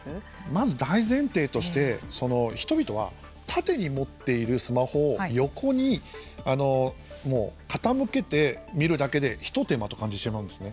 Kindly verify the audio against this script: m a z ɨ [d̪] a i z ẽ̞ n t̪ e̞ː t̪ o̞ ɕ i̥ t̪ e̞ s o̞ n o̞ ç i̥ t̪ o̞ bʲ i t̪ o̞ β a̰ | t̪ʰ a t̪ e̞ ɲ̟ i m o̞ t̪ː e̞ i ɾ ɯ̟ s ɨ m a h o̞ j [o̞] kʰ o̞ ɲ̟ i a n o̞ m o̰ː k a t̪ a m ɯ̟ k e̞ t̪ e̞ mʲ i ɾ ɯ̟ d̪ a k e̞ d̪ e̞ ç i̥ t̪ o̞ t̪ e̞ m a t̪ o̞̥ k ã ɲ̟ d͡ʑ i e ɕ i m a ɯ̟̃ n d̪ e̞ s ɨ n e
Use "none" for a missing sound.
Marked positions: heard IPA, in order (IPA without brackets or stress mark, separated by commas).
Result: d̪, o̞